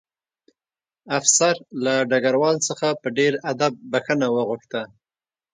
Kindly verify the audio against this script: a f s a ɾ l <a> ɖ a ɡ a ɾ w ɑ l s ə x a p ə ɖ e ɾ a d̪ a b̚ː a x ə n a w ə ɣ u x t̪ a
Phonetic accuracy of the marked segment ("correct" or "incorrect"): correct